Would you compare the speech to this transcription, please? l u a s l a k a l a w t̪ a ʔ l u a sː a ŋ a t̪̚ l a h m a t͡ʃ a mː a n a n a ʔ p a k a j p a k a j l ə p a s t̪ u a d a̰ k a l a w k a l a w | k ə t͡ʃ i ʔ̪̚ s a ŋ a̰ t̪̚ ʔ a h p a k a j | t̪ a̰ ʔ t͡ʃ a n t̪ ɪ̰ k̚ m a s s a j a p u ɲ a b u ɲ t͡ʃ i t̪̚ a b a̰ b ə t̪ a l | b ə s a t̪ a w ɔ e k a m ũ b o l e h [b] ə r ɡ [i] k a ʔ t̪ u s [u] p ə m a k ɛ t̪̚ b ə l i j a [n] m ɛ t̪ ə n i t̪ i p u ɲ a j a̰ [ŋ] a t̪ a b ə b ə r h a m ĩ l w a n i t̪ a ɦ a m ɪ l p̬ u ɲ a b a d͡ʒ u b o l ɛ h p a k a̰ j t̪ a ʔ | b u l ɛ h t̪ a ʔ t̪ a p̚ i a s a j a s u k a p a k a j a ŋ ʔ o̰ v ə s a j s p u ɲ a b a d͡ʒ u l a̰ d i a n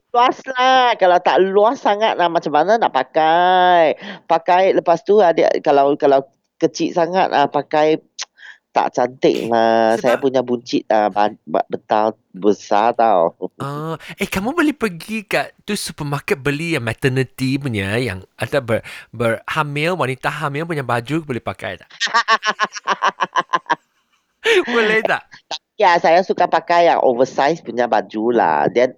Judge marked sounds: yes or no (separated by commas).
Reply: no, yes, yes, no, yes